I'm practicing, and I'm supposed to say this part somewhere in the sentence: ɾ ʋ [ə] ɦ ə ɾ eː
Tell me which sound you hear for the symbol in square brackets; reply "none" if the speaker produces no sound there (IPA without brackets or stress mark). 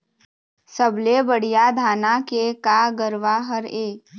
a